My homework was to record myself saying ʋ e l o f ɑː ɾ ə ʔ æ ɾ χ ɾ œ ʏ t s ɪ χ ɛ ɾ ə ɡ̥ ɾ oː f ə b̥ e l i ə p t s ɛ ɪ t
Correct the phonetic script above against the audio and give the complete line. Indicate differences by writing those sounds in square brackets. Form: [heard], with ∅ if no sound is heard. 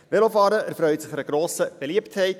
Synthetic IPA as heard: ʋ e l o f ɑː ɾ ə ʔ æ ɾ [f] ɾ œ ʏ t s ɪ χ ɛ ɾ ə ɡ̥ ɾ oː [s] ə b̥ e l i ə p t [h] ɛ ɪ t

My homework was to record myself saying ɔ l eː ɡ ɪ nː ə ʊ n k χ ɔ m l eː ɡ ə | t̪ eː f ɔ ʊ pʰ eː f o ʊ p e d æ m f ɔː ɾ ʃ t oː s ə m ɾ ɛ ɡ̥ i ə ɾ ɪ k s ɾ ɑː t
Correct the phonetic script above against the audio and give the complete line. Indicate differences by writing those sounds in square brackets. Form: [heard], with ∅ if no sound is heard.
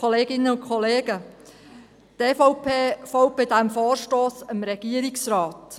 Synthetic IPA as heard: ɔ l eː ɡ ɪ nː ə ʊ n k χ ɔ [∅] l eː ɡ ə | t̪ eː f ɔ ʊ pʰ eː f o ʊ p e d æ m f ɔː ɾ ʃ t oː s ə m ɾ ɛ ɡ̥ i ə ɾ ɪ k s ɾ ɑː t

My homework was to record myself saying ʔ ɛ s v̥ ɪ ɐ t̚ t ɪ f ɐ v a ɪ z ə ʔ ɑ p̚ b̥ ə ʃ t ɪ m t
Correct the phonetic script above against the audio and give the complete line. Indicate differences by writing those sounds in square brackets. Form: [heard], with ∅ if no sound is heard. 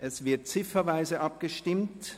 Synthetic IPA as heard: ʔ ɛ s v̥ ɪ ɐ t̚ [t͡s] ɪ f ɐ v a ɪ z ə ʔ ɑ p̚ [ɡ̥] ə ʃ t ɪ m t

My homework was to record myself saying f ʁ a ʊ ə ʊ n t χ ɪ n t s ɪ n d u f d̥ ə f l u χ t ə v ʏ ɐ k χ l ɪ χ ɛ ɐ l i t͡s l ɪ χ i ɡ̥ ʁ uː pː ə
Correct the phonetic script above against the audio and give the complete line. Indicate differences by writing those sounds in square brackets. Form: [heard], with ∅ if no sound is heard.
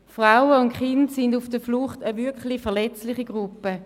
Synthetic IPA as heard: f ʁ a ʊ ə ʊ n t χ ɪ n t s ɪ n d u f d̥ ə f l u χ t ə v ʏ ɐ k χ l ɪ [f] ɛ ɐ l [ɛ] t͡s l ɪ χ i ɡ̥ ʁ [u] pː ə

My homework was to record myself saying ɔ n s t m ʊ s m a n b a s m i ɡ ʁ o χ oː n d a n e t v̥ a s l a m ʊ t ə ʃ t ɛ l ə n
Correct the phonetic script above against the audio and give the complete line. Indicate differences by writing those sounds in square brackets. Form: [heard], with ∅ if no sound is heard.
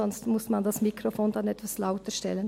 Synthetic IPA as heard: ɔ n s t m ʊ s m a n [d] a s m i [k] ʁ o [f] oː n d a n [ɛ] t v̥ a s l a [∅] ʊ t ə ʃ t ɛ l ə n

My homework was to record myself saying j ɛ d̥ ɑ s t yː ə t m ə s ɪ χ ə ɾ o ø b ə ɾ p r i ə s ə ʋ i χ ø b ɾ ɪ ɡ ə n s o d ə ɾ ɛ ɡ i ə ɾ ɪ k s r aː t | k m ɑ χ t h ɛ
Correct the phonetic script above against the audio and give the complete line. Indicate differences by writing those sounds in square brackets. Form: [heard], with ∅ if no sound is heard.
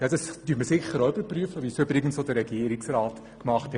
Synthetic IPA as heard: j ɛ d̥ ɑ s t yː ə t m ə s ɪ χ ə ɾ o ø b ə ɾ p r [y] ə [f] ə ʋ i [s] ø b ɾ ɪ ɡ ə n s o d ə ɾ ɛ ɡ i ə ɾ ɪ k s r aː t | k m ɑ χ t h ɛ

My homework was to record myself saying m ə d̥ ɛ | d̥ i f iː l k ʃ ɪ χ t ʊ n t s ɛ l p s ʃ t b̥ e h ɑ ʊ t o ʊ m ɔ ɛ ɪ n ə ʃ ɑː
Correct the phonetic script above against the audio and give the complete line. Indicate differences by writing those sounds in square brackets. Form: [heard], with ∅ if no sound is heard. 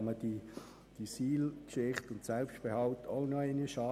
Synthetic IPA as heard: m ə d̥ [i] | d̥ i [s] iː l k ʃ ɪ χ t ʊ n t s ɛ l p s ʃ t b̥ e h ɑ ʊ t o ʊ [n] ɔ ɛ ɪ n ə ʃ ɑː

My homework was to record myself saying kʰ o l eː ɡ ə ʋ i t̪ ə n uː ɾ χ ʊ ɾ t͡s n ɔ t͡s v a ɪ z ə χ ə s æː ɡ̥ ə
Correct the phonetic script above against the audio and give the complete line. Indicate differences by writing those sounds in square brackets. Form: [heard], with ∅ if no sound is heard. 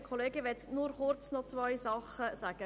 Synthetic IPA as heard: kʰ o l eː ɡ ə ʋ [ɛ] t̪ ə n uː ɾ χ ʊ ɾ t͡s n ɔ t͡s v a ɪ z [ɑ] χ ə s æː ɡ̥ ə

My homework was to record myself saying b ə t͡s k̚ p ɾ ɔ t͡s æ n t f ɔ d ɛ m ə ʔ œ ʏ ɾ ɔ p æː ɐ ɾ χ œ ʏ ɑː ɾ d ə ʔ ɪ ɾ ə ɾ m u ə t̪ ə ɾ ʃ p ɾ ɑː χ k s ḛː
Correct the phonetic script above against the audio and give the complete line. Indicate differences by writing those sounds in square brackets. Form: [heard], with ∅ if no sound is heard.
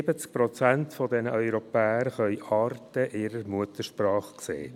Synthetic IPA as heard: b ə t͡s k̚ p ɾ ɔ t͡s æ n t f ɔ d ɛ [n] ə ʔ œ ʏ ɾ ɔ p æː [ə] ɾ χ œ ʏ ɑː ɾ [t] ə ʔ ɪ ɾ ə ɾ m u ə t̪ ə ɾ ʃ p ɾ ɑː χ k s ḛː

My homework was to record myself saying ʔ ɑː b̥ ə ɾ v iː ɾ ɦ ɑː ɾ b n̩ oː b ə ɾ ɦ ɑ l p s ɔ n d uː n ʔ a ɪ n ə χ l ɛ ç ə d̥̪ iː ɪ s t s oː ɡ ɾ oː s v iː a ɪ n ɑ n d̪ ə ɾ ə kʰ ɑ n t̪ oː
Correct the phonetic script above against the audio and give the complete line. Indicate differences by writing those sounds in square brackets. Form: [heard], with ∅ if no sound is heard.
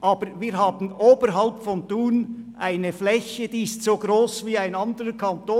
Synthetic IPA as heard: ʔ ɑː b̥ ə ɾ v iː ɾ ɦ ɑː [∅] b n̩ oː b ə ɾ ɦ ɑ l p [f] ɔ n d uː n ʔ a ɪ n ə [f] l ɛ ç ə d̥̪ iː ɪ s t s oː ɡ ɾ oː s v iː a ɪ n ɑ n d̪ ə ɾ ə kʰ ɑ n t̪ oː

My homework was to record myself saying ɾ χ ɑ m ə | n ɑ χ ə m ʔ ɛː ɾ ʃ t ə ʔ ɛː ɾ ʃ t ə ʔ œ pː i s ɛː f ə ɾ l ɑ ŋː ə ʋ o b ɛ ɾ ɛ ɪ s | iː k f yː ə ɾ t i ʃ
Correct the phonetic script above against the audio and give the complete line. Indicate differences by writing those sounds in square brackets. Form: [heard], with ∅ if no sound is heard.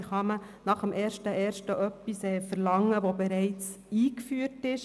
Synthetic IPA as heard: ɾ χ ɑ m ə | n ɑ χ ə m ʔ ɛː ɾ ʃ t ə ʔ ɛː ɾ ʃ t ə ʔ œ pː i s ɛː f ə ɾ l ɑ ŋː ə ʋ o b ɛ ɾ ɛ ɪ [t͡s] | iː k f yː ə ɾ t [ɪ] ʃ

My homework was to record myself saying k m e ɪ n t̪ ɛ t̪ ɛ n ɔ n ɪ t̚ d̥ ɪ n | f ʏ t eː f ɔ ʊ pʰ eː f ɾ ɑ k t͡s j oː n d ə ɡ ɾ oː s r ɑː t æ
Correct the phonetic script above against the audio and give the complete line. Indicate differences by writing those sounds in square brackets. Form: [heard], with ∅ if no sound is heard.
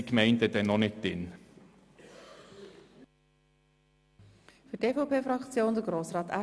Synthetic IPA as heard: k m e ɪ n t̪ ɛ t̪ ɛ n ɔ n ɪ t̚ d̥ ɪ n | f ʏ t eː f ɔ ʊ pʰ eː f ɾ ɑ k t͡s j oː n d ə ɡ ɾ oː s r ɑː t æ

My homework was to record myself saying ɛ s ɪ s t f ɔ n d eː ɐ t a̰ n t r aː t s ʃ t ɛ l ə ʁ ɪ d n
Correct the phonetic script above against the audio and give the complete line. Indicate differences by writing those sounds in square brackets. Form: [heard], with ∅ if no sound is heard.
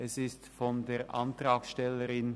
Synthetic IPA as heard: ɛ s ɪ s t f ɔ n d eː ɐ [ʔ] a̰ n t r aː [k] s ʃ t ɛ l ə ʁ ɪ [∅] n

